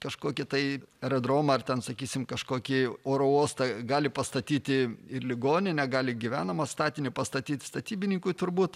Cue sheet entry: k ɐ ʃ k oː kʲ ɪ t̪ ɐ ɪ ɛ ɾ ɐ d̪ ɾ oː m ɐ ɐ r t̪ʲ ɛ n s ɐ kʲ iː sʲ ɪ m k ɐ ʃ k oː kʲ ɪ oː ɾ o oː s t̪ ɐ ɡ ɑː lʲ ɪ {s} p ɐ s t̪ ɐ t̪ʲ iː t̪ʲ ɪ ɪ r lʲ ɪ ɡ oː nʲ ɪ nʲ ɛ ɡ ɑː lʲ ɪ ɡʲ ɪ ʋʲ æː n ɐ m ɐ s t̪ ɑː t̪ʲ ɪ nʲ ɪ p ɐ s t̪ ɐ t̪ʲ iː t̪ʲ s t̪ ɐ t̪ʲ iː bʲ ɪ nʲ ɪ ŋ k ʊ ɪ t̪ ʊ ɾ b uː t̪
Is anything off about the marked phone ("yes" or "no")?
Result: yes